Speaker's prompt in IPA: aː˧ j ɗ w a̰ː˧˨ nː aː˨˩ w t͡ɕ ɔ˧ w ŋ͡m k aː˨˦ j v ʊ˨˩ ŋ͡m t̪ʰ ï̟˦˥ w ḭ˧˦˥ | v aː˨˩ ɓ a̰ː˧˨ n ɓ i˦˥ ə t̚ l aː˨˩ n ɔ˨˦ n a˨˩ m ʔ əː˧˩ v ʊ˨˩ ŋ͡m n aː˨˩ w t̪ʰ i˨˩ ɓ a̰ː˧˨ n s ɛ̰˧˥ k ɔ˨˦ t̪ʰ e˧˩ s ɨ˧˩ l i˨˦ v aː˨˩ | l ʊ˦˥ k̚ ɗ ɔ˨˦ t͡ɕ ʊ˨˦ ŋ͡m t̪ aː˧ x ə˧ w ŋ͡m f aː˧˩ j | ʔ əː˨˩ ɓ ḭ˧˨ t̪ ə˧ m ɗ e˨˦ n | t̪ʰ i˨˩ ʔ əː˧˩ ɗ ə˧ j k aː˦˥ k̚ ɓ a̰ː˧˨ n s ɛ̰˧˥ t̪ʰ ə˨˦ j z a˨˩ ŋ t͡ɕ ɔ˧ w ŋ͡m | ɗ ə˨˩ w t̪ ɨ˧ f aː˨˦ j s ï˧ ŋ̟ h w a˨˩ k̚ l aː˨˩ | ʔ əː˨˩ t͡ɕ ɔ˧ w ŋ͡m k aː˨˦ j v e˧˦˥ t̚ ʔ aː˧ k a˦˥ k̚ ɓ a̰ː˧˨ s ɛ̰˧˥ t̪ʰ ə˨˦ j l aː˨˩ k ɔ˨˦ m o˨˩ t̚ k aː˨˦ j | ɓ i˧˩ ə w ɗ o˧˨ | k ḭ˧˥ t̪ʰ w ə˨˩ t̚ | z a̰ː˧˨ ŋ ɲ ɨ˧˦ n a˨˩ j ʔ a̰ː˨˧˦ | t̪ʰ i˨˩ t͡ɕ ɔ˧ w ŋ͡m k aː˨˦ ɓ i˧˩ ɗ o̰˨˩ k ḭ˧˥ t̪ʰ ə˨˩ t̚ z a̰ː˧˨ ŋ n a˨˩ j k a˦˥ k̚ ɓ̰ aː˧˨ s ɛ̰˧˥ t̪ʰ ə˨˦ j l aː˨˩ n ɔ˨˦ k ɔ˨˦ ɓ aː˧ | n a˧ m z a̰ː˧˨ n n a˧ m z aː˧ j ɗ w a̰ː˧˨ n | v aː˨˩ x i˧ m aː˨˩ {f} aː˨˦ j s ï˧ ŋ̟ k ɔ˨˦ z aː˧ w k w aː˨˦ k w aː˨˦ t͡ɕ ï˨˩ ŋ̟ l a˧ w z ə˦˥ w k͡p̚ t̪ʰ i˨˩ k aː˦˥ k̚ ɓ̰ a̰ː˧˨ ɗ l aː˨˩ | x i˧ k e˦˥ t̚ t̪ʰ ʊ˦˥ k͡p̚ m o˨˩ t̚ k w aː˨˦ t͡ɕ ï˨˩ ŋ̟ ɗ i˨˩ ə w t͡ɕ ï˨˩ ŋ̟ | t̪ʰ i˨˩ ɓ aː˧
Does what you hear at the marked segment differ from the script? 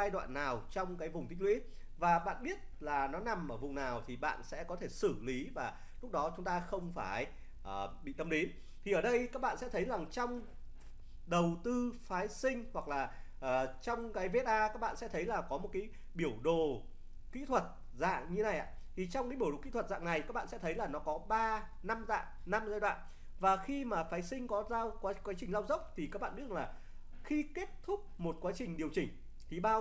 no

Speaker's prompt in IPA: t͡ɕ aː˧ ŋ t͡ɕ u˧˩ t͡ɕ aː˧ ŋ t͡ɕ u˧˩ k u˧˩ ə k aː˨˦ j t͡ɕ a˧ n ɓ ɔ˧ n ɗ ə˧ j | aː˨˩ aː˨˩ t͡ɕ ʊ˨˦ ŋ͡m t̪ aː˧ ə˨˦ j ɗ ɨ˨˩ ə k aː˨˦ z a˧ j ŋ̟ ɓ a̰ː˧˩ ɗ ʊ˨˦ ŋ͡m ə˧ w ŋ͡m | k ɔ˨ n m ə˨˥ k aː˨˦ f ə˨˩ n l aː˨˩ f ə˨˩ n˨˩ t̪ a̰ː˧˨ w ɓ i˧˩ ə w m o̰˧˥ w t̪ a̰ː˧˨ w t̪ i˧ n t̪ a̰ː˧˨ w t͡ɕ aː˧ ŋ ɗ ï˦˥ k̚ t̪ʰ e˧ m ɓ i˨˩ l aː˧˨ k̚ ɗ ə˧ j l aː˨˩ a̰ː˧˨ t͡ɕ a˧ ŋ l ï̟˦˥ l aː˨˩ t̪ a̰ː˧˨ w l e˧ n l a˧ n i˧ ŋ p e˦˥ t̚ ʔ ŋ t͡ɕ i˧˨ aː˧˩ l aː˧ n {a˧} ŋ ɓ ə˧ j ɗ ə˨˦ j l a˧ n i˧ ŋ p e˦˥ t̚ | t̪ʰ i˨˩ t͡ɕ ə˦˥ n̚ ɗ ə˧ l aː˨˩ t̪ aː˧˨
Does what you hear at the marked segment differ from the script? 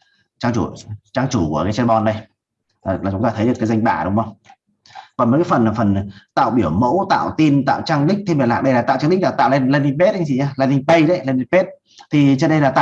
yes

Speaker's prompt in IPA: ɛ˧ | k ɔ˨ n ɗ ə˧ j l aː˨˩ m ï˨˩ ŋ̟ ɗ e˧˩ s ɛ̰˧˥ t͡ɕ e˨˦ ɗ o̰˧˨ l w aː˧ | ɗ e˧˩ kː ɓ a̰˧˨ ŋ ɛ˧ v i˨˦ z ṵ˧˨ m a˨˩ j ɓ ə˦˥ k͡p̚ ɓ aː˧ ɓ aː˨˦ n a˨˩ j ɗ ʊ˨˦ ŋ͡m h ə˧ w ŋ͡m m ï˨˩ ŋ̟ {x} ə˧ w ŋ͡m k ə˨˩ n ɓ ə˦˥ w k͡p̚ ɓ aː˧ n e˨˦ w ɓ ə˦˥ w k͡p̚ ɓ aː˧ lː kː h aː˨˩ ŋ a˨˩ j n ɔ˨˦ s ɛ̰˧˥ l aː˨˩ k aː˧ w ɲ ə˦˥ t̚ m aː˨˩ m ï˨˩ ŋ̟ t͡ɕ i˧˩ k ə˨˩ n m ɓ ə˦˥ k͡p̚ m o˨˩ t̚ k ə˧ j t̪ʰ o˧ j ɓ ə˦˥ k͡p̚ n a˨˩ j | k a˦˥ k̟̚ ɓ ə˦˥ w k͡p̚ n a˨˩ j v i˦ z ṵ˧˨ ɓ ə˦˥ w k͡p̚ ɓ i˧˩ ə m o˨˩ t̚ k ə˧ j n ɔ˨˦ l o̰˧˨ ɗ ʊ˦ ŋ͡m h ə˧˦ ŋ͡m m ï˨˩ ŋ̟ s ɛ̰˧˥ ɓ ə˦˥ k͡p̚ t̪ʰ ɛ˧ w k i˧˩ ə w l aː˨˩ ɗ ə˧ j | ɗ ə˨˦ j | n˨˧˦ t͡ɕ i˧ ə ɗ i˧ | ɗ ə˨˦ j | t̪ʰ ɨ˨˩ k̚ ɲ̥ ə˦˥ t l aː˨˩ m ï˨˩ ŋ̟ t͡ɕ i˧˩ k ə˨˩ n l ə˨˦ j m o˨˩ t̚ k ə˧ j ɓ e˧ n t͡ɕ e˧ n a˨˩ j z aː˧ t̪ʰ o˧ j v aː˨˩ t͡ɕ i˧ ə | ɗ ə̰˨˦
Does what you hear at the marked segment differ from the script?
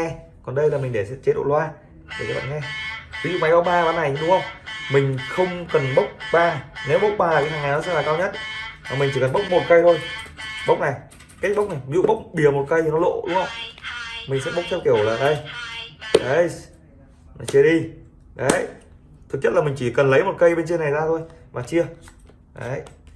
no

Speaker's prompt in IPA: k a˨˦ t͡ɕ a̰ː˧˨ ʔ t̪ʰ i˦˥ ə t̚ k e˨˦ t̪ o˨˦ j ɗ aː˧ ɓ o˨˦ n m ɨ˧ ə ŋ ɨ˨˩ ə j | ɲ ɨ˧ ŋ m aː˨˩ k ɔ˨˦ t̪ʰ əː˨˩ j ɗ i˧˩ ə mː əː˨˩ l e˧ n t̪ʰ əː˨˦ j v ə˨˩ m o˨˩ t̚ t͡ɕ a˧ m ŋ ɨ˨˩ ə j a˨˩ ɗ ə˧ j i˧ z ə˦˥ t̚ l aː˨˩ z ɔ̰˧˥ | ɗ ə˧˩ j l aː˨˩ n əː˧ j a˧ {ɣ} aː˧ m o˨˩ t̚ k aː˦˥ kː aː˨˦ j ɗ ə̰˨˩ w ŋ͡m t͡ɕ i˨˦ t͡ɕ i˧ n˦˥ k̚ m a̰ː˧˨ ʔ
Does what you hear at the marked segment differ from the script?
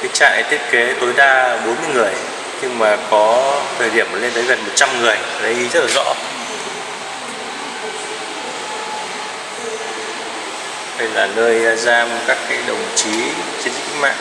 yes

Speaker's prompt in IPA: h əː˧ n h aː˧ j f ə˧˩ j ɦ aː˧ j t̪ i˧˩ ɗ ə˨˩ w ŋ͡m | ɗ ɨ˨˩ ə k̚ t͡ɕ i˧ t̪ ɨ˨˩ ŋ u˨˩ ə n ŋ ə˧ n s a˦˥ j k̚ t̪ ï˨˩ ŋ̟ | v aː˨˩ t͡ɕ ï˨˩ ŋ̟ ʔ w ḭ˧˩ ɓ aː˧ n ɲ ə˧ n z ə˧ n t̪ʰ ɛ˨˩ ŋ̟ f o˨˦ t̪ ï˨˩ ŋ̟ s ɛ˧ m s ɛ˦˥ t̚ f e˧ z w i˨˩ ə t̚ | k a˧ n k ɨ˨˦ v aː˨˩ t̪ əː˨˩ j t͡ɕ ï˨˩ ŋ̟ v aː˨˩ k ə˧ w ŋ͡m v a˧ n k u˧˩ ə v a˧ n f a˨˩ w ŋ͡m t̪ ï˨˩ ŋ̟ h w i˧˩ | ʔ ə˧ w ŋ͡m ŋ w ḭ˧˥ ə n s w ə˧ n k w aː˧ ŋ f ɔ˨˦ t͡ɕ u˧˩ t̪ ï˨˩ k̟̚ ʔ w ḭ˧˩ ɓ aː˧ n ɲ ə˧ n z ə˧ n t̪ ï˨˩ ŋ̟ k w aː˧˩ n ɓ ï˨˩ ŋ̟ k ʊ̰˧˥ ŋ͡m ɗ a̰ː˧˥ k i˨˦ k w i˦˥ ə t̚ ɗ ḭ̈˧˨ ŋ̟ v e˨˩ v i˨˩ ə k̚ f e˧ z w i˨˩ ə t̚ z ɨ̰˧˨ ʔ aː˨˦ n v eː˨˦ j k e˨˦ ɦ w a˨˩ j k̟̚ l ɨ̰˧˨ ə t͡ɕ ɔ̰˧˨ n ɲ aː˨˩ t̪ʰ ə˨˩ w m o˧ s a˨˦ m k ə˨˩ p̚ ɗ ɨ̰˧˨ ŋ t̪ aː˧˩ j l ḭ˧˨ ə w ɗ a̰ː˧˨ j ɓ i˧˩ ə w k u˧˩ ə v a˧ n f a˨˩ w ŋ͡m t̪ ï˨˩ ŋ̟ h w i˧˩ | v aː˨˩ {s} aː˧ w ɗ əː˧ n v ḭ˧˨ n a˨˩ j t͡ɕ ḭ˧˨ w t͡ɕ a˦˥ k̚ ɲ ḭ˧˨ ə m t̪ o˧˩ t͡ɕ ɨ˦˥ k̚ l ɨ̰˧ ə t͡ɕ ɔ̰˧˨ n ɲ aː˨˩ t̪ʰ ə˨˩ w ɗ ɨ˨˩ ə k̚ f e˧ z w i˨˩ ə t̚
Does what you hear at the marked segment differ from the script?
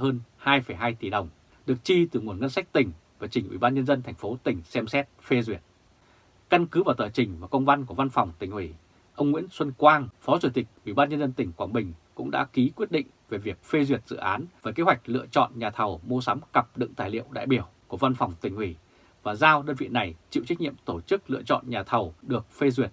yes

